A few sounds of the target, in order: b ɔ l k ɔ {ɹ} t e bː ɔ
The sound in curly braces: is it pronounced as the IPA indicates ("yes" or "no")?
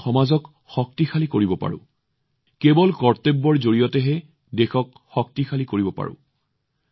yes